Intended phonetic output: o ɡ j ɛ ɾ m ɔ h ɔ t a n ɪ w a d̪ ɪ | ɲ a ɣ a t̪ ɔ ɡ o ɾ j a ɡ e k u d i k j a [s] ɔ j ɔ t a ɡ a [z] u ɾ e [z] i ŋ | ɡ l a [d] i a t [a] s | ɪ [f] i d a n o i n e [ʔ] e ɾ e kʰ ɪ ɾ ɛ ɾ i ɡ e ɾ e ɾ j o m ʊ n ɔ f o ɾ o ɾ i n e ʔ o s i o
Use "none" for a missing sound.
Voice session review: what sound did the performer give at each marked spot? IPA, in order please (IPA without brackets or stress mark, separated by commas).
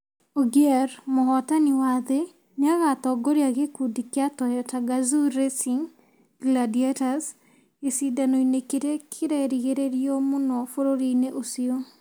t, z, s, d, a, s, k